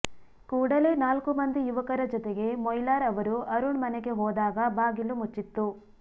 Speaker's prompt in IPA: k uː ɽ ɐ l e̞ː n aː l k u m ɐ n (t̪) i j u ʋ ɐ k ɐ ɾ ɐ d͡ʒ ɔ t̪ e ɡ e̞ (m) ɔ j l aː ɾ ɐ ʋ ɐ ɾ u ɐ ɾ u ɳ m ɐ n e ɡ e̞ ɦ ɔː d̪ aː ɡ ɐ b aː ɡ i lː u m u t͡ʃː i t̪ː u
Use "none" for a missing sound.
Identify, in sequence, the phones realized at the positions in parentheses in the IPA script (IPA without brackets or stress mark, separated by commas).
d̪, m